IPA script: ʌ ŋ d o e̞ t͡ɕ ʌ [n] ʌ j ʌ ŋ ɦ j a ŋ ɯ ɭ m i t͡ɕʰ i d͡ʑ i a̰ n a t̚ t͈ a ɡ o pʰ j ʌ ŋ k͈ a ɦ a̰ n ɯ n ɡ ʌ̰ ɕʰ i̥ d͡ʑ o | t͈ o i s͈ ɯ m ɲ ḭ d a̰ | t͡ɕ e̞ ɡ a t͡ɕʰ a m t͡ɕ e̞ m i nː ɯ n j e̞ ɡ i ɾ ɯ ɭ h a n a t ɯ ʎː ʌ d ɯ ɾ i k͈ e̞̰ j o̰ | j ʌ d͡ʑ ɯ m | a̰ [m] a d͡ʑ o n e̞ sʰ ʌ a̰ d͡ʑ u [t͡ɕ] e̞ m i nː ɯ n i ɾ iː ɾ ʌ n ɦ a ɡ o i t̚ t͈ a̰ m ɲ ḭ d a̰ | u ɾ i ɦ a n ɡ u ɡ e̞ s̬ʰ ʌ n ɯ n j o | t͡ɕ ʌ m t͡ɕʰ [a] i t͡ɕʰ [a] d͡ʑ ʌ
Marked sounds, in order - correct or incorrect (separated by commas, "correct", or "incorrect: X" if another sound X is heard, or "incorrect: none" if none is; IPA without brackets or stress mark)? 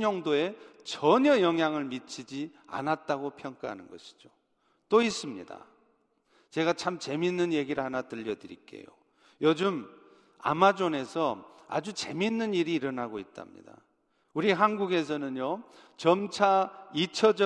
incorrect: ɲ, correct, correct, correct, incorrect: ʌ